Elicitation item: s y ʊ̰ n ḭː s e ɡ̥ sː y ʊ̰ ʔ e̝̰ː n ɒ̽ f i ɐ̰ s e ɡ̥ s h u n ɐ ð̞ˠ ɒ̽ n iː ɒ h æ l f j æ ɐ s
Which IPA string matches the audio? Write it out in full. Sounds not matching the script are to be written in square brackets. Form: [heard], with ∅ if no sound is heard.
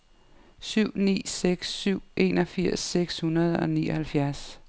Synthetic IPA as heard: s y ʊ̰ n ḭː s e ɡ̥ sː y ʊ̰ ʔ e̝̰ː n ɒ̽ f i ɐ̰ s e ɡ̥ s h u n ɐ ð̞ˠ ɒ̽ n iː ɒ h æ l f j æ ɐ s